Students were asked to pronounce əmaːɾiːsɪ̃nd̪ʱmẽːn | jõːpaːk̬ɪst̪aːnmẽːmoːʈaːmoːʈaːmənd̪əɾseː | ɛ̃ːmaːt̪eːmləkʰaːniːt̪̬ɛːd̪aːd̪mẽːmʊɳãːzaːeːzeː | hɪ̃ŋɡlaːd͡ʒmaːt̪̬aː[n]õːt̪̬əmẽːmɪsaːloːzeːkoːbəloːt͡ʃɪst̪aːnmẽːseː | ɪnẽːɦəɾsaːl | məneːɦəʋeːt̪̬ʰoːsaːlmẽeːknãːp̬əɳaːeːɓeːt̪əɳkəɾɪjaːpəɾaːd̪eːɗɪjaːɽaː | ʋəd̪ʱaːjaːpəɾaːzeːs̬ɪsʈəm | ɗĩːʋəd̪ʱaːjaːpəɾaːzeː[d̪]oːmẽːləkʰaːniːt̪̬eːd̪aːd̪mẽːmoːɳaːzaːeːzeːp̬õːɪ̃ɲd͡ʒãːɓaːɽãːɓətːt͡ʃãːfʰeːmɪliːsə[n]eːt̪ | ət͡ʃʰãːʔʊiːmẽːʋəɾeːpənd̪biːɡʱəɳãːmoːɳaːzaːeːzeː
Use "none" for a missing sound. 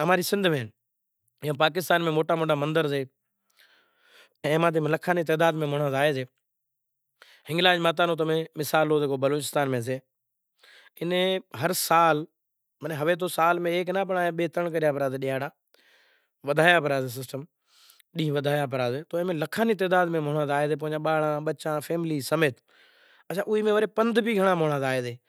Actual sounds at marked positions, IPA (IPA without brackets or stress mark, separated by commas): n, t̪, m